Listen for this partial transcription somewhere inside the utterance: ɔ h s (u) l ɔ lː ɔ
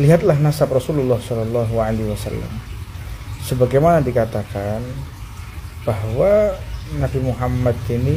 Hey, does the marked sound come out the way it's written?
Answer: no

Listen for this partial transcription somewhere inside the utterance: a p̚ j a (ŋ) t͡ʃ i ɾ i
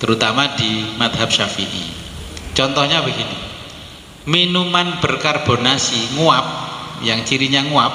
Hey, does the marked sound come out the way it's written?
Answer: yes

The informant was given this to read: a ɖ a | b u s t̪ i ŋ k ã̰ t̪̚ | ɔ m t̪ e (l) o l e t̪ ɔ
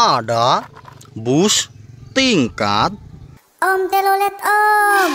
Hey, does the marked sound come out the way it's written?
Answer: yes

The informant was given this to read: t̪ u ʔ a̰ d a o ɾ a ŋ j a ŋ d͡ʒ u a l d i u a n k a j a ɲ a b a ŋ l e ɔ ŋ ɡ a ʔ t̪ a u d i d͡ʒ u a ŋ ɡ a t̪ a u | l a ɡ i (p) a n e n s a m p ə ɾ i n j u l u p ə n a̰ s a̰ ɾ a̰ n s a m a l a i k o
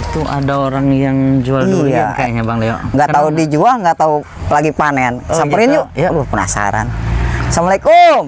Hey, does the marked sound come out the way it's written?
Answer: yes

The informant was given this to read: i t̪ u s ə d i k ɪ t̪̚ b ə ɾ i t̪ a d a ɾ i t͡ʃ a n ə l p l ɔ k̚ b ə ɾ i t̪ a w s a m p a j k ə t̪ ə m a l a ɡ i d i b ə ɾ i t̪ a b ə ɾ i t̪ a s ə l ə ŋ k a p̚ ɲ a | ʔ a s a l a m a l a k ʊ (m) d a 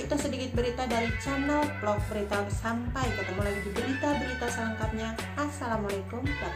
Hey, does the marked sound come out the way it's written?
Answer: yes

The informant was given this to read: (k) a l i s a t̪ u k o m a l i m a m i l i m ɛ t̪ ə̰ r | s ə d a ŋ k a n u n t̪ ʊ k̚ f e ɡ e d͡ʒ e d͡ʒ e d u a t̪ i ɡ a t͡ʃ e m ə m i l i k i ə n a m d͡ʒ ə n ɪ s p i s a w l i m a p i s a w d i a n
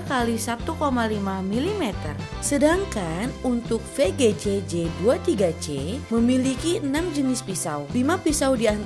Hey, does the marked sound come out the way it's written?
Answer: yes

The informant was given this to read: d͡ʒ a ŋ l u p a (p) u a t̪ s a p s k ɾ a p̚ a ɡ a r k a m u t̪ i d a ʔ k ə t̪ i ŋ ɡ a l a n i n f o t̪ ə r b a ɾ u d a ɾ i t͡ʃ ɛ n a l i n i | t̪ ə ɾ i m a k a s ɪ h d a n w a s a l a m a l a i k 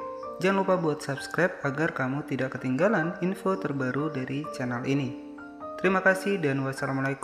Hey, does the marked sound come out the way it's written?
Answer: no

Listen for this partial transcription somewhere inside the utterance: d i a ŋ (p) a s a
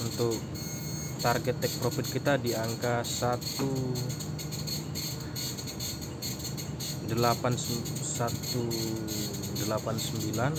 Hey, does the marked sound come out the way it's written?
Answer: no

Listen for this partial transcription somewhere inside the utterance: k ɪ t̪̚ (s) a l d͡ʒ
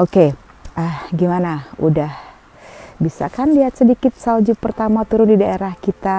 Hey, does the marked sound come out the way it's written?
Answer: yes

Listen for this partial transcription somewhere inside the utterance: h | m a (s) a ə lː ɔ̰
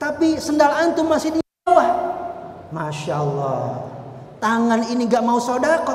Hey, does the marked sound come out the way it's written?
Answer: no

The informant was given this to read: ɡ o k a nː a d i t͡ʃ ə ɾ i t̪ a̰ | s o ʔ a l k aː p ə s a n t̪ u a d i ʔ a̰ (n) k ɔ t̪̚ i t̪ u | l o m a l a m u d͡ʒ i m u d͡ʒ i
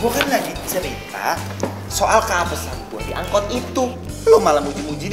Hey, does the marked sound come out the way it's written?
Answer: no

